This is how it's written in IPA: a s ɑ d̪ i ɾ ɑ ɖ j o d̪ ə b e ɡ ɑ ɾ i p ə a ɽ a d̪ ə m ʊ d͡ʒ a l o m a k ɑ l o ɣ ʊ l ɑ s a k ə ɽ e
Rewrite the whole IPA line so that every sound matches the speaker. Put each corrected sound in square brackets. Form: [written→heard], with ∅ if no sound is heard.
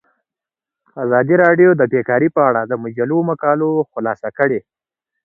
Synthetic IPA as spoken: a [s→z] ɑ d̪ i ɾ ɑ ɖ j o d̪ ə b e [ɡ→k] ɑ ɾ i p ə a ɽ a d̪ ə m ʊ d͡ʒ a l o m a k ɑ l o [ɣ→x] ʊ l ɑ s a k ə ɽ e

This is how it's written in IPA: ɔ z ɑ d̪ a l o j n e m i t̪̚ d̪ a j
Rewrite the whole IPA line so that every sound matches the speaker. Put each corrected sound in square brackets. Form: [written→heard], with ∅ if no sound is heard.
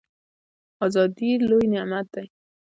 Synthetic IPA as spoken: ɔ z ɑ d̪ [a→i] l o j n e m [i→a] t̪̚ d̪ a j

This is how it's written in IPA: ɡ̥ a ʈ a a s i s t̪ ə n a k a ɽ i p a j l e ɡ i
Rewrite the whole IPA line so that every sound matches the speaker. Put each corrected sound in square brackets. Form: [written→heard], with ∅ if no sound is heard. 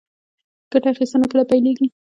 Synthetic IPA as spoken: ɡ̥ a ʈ a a [s→x] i s t̪ ə n a k [a→ə] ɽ [i→a] p a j l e ɡ i

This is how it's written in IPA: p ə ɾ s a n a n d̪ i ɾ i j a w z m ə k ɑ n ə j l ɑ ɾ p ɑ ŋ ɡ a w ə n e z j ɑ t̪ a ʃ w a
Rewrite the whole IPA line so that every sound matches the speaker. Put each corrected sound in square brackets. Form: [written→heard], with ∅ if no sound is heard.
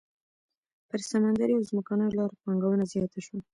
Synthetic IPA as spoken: p ə ɾ s a [n→m] a n d̪ [i→a] ɾ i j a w z m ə k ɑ n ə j l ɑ ɾ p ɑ ŋ ɡ a w ə n [e→a] z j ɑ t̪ a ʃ w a

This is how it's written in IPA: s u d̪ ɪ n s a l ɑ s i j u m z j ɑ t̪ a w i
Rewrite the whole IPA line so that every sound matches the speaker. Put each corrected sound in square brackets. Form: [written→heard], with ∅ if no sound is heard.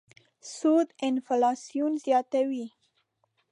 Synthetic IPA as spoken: s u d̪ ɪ n [s→f] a l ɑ s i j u [m→n] z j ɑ t̪ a w i

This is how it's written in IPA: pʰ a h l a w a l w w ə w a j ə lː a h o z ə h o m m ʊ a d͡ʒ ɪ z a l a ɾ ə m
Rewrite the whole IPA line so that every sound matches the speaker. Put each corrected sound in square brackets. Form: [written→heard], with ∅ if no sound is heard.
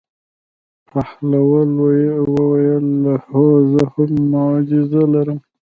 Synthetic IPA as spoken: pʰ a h l a w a l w w ə w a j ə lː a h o z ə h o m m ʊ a d͡ʒ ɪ z a l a ɾ ə m

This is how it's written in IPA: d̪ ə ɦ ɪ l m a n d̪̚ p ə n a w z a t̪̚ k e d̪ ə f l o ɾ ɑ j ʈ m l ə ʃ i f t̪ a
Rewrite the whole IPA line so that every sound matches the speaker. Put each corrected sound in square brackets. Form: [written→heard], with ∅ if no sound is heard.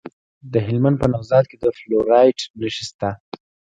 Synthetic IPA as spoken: d̪ ə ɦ ɪ l m a n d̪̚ p ə n a w z [a→ɑ] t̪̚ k e d̪ ə f l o ɾ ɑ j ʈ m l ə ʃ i [f→s] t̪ a

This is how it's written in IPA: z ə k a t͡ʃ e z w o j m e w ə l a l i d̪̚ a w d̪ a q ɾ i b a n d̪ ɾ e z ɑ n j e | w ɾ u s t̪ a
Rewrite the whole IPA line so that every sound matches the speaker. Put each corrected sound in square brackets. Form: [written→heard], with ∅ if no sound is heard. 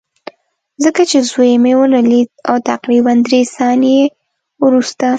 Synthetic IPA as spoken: z ə k a t͡ʃ e z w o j m e w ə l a l i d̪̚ a w [d̪→t̪] a q ɾ i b a n d̪ ɾ e [z→s] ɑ n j e | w ɾ u s t̪ a

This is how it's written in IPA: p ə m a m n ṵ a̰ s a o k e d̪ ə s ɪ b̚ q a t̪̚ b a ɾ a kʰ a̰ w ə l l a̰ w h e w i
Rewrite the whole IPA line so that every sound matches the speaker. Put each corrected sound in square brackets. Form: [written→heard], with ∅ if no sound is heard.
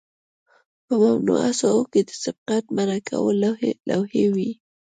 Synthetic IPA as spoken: p ə m a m n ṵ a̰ s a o k e d̪ ə s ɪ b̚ q a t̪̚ [b→m] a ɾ a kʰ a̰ w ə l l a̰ w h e w i

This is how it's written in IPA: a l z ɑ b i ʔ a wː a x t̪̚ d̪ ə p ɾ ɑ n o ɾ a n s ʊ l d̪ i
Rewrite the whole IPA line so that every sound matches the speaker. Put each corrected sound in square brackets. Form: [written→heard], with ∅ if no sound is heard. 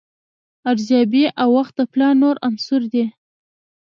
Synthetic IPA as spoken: a [l→ɾ] z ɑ b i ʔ a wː a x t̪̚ d̪ ə p [ɾ→l] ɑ n o ɾ a n s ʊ [l→ɾ] d̪ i

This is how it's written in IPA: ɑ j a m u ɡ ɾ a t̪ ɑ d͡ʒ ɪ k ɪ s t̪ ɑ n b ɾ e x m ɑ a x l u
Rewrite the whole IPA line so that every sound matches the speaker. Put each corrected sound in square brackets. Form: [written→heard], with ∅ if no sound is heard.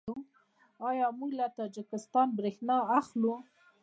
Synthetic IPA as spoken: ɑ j [a→ɑ] m u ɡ [ɾ→l] a t̪ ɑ d͡ʒ ɪ k ɪ s t̪ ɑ n b ɾ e x [m→n] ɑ a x l u

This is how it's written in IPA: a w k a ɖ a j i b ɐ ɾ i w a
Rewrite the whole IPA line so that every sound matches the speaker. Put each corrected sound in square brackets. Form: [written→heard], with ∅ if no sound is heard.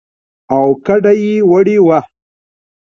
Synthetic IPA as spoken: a w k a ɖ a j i [b→w] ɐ [ɾ→ɽ] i w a

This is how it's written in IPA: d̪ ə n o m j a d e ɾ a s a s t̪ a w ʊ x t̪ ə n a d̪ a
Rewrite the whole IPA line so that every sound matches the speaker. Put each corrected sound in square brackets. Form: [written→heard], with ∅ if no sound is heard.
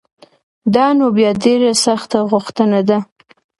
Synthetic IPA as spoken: d̪ [ə→ɑ] n o [m→b] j [a→ɑ] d e ɾ a s a [s→x] t̪ a [w→ɣ] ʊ x t̪ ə n a d̪ a

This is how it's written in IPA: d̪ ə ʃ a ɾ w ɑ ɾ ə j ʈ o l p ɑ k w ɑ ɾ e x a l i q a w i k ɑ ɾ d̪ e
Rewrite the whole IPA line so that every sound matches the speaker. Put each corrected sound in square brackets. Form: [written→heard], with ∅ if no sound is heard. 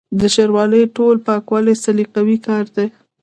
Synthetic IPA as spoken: d̪ ə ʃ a ɾ w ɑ [ɾ→l] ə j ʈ o l p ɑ k w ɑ [ɾ→l] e [x→s] a l i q a w i k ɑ ɾ d̪ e

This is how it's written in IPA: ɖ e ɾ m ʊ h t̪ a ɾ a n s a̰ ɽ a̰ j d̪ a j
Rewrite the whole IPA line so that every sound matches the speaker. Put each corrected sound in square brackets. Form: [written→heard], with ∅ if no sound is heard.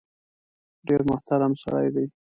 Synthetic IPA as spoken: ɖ e ɾ m ʊ h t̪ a ɾ a [n→m] s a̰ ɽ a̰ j d̪ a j

